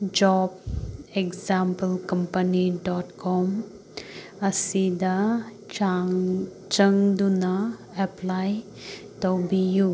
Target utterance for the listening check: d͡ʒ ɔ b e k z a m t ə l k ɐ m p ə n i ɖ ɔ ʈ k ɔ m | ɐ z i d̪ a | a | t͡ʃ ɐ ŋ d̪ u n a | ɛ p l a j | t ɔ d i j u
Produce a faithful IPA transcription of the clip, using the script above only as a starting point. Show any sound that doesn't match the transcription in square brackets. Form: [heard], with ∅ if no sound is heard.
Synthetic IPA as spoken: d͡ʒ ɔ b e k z a m [p] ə l k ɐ m p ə n i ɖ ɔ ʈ k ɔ m | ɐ [s] i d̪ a | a | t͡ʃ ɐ ŋ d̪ u n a | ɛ p l a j | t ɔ [b] i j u